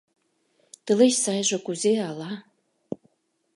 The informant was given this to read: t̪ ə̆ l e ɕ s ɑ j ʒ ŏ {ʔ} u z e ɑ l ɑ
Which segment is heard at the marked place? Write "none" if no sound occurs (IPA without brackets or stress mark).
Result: k